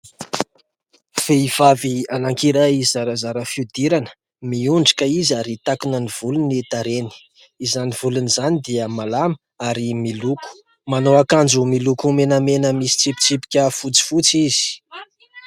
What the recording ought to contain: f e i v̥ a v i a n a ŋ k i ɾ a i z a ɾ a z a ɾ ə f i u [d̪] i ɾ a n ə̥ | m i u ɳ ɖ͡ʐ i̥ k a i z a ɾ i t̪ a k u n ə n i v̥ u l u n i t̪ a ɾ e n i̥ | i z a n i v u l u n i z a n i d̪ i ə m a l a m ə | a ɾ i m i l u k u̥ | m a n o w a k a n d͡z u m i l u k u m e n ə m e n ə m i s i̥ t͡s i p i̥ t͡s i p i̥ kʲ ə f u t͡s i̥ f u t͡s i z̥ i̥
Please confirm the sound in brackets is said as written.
yes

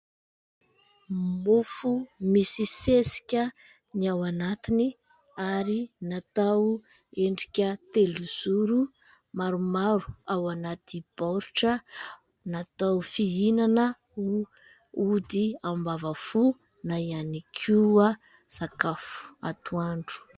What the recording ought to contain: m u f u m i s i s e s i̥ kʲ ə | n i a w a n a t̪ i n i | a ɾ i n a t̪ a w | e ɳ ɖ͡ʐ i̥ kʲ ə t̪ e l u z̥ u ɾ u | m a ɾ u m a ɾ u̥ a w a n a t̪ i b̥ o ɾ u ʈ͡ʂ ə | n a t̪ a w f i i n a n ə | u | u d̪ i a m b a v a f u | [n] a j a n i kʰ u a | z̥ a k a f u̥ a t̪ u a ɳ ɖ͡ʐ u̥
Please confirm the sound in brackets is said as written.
yes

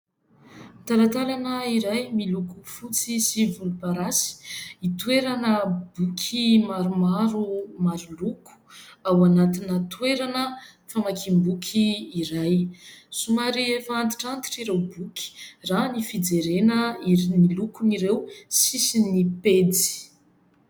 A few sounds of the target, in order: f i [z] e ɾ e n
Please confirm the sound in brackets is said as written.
no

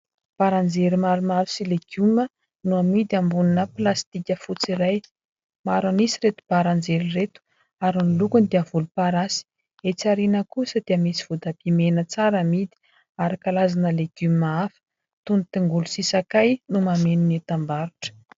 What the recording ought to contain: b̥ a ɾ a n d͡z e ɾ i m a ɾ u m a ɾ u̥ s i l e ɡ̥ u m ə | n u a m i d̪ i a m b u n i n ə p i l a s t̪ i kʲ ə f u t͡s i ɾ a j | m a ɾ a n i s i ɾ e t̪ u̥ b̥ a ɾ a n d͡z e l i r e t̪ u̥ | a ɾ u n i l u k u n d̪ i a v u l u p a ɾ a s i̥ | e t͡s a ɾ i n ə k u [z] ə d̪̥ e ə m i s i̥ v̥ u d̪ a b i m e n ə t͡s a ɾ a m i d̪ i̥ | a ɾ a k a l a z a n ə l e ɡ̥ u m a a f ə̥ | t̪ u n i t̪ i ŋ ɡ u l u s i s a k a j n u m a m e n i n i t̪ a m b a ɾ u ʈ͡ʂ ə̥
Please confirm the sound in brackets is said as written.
no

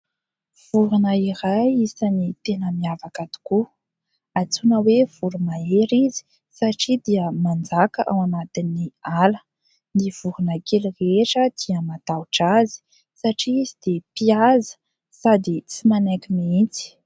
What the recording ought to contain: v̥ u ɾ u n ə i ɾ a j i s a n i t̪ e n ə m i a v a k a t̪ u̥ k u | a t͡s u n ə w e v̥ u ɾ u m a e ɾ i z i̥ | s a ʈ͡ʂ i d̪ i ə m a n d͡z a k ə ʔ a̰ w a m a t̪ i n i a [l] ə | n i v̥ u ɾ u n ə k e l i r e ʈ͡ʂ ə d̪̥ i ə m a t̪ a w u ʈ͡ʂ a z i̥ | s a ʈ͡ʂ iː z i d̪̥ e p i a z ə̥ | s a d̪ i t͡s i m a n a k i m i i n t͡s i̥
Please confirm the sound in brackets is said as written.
yes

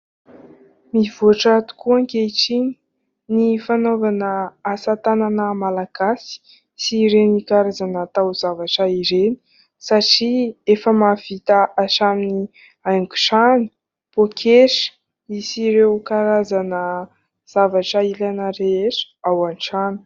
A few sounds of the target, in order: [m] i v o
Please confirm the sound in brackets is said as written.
yes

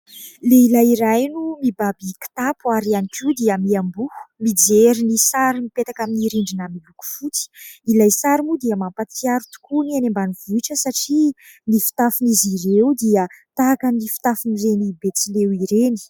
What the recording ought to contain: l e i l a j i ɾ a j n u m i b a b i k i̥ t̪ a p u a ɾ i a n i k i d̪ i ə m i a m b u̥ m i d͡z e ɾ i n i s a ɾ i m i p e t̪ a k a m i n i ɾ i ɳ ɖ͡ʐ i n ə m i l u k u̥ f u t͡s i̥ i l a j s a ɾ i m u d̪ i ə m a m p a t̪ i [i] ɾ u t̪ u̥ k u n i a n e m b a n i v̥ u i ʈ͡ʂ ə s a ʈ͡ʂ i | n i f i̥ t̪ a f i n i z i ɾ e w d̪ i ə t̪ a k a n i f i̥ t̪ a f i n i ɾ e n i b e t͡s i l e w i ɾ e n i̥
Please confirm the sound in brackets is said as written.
no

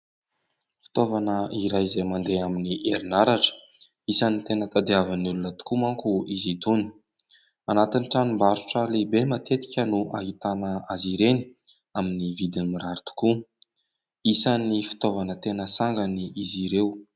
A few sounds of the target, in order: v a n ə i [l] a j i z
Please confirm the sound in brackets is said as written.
no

